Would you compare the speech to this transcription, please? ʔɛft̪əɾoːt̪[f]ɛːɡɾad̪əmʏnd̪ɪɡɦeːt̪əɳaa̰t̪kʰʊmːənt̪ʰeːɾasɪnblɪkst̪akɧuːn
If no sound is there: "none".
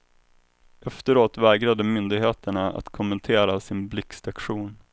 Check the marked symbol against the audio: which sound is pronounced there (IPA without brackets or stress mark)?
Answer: v